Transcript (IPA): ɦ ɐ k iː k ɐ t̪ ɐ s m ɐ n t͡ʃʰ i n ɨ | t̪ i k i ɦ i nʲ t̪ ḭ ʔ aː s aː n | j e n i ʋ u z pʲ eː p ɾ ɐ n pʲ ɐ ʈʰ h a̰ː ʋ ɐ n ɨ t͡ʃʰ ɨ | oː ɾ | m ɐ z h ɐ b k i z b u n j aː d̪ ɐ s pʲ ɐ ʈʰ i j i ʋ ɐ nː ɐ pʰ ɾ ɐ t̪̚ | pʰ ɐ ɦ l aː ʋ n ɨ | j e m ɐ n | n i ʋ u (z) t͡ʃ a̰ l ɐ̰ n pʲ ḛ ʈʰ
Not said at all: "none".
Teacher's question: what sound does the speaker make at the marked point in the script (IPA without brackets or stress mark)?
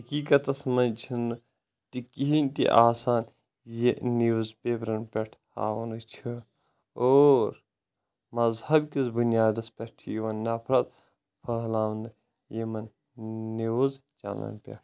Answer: z